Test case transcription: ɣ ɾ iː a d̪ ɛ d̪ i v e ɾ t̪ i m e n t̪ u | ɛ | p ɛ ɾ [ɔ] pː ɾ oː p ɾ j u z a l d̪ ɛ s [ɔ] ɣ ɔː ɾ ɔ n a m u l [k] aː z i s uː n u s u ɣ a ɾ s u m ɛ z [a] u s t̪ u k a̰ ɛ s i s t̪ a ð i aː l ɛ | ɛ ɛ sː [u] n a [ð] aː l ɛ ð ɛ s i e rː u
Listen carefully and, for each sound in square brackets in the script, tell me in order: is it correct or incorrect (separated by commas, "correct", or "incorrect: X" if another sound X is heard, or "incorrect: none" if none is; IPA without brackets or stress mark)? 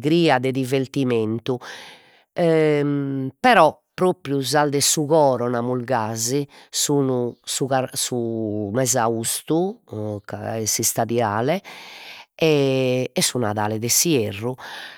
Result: correct, incorrect: u, incorrect: ɡ, correct, correct, correct